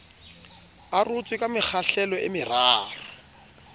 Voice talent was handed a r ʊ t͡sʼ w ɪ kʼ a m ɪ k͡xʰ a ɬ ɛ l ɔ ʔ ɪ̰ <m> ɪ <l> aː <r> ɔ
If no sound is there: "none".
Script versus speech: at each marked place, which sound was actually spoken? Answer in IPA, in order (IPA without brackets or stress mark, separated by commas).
m, r, r